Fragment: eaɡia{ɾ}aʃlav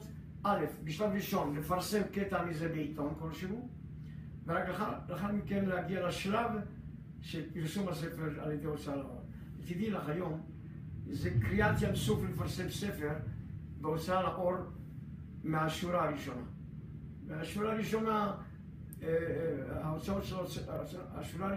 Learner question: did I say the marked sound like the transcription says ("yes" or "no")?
no